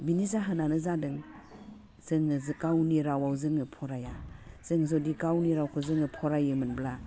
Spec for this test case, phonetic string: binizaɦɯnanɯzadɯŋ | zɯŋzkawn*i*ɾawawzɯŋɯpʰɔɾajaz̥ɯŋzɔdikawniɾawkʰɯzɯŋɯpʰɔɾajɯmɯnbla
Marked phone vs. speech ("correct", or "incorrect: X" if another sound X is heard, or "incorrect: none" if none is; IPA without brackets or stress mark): correct